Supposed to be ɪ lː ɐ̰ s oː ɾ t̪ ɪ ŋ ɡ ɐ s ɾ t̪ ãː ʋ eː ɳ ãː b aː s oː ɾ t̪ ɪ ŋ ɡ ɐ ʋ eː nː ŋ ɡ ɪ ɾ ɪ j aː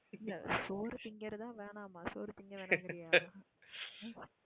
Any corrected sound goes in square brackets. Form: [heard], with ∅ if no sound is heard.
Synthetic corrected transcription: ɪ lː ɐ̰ s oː ɾ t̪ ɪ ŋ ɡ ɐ [∅] ɾ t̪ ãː ʋ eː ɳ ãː [m] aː s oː ɾ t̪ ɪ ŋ ɡ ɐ ʋ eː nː ŋ ɡ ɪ ɾ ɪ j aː